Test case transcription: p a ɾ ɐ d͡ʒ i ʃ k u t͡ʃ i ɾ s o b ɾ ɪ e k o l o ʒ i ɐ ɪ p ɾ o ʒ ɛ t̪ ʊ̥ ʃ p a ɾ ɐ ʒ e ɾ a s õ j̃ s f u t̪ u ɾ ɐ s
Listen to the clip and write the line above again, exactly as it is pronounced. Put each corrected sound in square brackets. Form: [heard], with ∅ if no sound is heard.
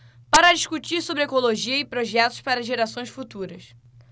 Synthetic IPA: p a ɾ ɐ d͡ʒ i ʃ k u t͡ʃ i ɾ s o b ɾ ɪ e k o l o ʒ i ɐ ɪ p ɾ o ʒ ɛ t̪ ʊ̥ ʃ p a ɾ ɐ ʒ e ɾ a s õ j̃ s f u t̪ u ɾ ɐ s